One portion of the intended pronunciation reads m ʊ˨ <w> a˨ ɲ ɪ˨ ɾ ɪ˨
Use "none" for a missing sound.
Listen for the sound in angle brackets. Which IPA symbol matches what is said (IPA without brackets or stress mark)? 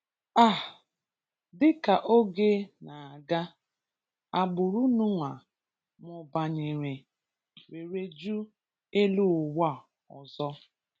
b